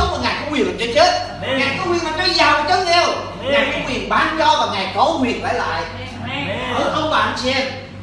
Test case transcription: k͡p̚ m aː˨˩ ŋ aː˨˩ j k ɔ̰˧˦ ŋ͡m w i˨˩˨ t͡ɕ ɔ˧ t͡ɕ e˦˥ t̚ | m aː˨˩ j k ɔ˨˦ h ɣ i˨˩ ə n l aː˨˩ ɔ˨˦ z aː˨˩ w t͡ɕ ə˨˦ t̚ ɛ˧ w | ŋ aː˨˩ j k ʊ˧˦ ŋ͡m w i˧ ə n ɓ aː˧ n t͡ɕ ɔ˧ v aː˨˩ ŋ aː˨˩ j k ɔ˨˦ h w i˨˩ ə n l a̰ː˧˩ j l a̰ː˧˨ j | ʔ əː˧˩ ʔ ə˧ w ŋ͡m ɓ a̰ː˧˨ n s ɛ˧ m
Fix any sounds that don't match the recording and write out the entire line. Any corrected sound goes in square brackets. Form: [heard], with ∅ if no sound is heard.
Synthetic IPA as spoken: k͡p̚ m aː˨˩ ŋ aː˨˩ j k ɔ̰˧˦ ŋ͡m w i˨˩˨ t͡ɕ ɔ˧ t͡ɕ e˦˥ t̚ | [ŋ] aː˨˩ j k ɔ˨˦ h [w] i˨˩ ə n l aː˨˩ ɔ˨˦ z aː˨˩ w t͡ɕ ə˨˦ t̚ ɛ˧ w | ŋ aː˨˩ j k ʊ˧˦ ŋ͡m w [i˨˩] ə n ɓ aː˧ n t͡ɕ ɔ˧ v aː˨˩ ŋ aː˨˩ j k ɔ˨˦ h w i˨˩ ə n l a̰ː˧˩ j l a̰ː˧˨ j | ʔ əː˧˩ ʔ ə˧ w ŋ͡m ɓ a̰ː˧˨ n s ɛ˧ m